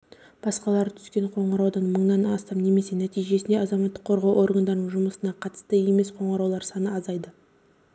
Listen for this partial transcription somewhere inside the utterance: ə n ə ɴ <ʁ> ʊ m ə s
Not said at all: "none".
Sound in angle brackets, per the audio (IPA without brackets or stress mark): ʒ